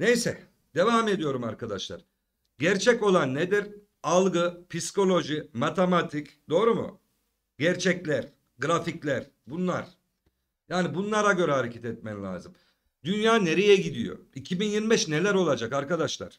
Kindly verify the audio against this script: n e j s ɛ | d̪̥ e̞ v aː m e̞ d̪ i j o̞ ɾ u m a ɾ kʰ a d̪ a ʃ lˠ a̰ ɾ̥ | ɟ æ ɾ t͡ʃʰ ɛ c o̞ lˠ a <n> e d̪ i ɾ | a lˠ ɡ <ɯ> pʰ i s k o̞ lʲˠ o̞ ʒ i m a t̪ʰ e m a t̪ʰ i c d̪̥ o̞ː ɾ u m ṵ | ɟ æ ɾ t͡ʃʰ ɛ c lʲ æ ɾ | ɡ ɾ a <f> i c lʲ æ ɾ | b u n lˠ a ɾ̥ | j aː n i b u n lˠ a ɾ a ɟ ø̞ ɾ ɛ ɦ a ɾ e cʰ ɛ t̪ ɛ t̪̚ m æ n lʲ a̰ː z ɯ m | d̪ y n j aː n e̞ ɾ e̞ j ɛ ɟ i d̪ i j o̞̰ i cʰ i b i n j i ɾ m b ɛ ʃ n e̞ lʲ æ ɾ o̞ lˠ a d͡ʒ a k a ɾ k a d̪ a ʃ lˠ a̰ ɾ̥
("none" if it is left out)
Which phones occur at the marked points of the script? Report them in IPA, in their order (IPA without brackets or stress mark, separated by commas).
nː, ɯ, f